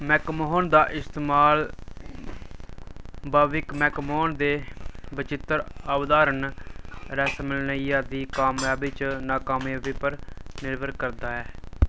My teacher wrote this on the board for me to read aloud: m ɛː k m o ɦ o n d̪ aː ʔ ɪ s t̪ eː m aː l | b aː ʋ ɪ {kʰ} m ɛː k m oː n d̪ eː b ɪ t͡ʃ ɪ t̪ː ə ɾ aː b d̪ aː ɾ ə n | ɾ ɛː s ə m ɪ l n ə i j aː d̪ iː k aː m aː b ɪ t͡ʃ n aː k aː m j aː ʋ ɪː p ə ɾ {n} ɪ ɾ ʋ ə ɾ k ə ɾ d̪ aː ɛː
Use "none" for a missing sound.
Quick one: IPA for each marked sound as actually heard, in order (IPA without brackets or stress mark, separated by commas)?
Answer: k, n